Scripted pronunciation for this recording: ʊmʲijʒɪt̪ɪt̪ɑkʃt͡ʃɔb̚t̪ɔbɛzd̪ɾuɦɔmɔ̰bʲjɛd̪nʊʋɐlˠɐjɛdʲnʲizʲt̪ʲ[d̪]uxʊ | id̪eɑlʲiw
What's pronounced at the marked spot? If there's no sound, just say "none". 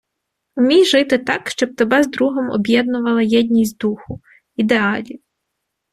d̪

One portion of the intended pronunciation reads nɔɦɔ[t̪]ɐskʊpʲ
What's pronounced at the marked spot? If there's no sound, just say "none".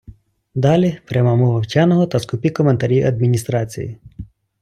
t̪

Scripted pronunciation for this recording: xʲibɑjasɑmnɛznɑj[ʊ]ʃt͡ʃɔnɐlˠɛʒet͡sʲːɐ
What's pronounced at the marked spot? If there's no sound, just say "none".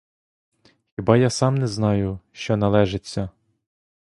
ʊ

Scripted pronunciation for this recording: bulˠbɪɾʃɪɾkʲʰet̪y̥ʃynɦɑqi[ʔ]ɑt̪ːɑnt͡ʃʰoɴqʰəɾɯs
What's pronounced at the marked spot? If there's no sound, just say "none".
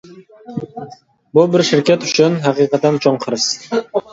q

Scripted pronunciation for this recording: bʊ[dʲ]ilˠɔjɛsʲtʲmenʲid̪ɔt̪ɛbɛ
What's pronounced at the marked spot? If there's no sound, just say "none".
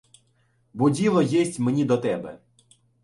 dʲ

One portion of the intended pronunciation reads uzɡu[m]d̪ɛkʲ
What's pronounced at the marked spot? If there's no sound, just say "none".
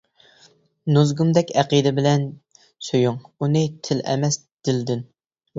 m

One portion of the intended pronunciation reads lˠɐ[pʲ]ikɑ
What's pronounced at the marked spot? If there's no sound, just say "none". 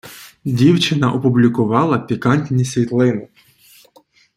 pʲ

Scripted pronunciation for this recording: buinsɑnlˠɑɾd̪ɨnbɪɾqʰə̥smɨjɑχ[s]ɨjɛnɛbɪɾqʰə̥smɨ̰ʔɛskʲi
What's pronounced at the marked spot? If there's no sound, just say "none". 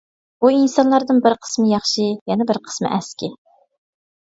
ʃ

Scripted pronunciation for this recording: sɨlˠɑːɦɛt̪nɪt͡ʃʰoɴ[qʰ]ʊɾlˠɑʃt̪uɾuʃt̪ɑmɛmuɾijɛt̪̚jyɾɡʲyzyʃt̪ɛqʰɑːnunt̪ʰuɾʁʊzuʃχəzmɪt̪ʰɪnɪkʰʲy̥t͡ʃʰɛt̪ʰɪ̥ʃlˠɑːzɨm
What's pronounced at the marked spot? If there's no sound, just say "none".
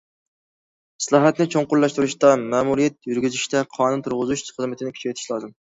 q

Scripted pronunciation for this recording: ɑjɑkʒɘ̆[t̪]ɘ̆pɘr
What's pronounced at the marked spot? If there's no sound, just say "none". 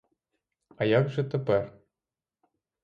t̪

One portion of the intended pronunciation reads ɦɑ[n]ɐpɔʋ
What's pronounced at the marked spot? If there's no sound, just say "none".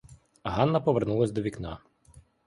nː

